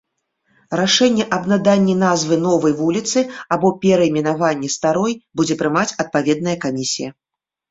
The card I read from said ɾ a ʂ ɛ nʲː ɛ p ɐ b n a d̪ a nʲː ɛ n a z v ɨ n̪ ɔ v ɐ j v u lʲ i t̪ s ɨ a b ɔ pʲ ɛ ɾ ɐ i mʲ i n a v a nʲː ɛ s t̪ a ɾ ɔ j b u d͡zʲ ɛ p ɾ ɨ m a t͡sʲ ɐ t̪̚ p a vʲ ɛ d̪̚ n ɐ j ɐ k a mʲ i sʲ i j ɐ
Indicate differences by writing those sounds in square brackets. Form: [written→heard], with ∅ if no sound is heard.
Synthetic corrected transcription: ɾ a ʂ ɛ nʲː ɛ [p→ʔ] ɐ b n a d̪ a nʲː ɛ n a z v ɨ n̪ ɔ v ɐ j v u lʲ i t̪ s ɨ a b ɔ pʲ ɛ ɾ ɐ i mʲ i n a v a nʲː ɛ s t̪ a ɾ ɔ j b u d͡zʲ ɛ p ɾ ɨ m a t͡sʲ ɐ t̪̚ p a vʲ ɛ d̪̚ n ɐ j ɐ k a mʲ i sʲ i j ɐ